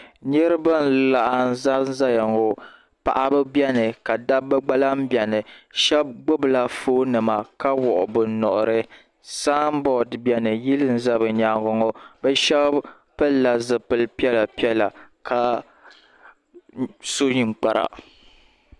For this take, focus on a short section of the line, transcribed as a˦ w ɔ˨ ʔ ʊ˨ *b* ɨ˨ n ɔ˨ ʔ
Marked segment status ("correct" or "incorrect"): correct